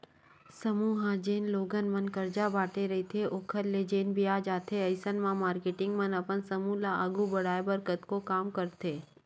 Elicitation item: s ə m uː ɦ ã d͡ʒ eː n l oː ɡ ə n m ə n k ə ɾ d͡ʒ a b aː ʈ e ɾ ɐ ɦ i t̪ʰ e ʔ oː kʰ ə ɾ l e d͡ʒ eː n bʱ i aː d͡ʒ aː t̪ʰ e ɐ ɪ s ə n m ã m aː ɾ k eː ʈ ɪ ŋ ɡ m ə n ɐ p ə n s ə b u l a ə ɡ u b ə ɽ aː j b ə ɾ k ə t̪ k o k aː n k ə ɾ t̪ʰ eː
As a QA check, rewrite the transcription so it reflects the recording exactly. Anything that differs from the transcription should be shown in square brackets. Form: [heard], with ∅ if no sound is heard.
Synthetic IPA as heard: s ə m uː ɦ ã d͡ʒ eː n l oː ɡ ə n m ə n k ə ɾ d͡ʒ a b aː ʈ e ɾ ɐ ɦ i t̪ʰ e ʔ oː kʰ ə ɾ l e d͡ʒ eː n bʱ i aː d͡ʒ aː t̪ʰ e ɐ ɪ s ə n m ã m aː ɾ k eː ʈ ɪ ŋ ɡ m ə n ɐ p ə n s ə [m] u l a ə ɡ u b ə ɽ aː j b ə ɾ k ə t̪ k o k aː [m] k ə ɾ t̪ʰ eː